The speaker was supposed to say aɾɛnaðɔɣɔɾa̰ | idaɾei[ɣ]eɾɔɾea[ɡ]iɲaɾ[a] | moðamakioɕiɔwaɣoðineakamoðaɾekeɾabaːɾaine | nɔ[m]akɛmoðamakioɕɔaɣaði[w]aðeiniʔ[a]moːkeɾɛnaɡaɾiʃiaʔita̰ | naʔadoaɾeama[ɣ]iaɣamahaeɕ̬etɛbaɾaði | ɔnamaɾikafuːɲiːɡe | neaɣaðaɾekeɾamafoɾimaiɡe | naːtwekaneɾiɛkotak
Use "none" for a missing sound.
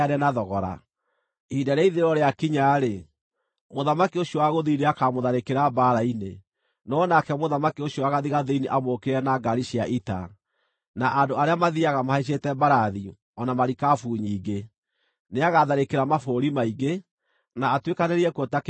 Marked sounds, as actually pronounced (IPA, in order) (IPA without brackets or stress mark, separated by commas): ð, k, e, n, ɣ, a, ð